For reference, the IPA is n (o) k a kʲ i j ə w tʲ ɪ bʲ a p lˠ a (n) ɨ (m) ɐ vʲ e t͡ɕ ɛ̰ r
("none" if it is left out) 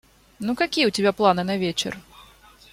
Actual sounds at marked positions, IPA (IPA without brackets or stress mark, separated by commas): u, n, n